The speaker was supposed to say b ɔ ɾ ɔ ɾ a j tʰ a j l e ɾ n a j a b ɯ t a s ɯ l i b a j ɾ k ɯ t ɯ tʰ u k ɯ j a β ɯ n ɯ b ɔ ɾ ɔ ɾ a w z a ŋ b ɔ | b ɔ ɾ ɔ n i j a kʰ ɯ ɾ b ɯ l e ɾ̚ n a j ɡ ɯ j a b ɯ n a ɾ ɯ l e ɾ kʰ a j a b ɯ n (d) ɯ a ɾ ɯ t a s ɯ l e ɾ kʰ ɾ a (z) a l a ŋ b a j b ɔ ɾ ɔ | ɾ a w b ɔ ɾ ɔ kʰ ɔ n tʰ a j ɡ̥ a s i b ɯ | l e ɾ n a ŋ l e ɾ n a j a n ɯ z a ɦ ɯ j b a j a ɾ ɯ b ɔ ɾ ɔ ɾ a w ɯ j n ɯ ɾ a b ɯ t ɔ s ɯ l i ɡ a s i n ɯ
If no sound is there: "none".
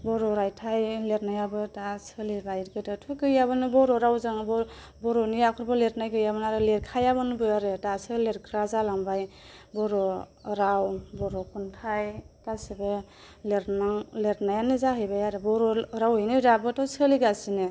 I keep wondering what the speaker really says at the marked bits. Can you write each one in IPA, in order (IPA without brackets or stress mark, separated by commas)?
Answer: b, z